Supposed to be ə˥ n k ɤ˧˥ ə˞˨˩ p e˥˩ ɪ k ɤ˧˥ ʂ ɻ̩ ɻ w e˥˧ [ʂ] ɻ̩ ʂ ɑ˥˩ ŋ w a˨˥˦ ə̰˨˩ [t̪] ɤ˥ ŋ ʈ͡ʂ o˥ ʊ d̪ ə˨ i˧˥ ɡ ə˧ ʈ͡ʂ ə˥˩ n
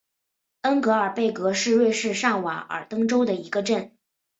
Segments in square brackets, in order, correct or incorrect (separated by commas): correct, correct